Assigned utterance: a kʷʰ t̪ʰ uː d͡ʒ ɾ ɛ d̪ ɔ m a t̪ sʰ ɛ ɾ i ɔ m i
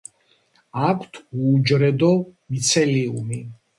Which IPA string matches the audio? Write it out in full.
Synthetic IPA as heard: a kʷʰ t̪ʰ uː d͡ʒ ɾ ɛ d̪ ɔ m i t̪ sʰ ɛ l i u m i